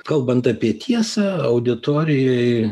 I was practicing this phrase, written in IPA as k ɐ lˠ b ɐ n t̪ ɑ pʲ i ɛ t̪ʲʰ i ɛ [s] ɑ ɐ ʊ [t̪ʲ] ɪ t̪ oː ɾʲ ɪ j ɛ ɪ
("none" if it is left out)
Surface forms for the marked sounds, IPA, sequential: s, d̪ʲ

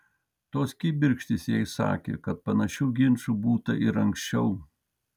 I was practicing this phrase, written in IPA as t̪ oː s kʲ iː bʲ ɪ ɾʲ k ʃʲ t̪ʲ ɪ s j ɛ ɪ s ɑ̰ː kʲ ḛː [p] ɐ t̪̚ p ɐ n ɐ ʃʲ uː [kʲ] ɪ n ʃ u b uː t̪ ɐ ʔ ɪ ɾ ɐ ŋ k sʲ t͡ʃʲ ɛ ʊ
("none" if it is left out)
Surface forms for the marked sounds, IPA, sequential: k, ɡʲ

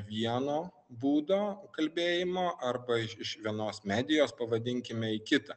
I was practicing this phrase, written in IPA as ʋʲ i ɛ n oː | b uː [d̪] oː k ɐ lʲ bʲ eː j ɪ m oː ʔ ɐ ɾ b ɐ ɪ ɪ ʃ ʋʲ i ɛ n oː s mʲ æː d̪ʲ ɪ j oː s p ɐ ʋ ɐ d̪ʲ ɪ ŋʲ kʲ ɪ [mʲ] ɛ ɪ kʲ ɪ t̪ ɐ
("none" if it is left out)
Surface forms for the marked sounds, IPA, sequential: d̪, mʲ

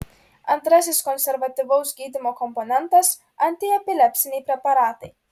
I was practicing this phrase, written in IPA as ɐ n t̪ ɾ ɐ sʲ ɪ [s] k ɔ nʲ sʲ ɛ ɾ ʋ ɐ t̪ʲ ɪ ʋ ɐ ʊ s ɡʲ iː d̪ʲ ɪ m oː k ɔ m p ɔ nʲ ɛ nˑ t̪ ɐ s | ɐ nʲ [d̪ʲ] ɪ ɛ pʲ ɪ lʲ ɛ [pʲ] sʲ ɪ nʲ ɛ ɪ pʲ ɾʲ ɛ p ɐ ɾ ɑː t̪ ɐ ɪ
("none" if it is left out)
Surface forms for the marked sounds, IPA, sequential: s, t̪ʲ, pʲ

